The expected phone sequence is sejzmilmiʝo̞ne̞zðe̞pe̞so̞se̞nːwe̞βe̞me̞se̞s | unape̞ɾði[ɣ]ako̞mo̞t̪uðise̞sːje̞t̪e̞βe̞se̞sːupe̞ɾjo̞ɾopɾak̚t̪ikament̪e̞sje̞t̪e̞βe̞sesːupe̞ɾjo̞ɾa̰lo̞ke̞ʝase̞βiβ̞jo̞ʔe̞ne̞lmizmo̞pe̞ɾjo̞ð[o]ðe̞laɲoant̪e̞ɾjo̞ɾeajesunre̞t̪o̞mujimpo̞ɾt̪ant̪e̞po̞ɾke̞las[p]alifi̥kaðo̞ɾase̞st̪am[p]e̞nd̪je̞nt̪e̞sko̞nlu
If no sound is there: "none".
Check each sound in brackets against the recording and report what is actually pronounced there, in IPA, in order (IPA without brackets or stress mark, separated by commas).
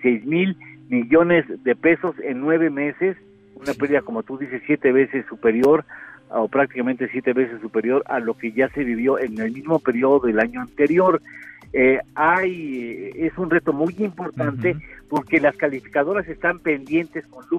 ð, o, k, p